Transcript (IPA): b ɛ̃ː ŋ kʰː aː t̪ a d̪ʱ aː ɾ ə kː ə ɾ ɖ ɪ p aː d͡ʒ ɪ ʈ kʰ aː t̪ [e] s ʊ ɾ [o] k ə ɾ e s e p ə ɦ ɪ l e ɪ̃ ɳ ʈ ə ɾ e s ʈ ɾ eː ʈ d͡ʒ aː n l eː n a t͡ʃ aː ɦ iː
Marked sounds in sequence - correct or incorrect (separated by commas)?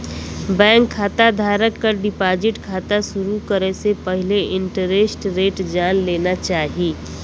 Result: incorrect, incorrect